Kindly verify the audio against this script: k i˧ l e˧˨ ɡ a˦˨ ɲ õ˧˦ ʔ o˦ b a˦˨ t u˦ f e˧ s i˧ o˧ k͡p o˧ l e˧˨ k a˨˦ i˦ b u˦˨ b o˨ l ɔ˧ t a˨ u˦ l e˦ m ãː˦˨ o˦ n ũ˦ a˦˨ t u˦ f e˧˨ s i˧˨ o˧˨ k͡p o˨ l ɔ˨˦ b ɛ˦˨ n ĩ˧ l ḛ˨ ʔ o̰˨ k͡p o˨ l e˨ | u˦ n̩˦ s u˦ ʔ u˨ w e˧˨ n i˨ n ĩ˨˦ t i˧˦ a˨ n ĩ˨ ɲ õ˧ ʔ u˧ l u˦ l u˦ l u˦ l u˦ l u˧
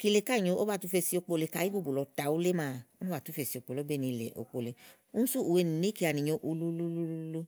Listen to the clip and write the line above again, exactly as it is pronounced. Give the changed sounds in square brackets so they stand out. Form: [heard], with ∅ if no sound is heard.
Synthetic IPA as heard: k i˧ l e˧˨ [k] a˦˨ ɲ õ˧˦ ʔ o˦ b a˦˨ t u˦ f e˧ s i˧ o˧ k͡p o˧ l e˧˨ k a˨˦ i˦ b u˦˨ b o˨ l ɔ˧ t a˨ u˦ l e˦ m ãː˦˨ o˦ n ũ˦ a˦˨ t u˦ f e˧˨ s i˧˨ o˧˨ k͡p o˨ l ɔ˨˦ b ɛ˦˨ n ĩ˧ l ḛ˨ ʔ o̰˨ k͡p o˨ l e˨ | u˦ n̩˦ s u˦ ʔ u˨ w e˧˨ n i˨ n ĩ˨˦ [k] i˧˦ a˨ n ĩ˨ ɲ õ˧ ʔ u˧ l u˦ l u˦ l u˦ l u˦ l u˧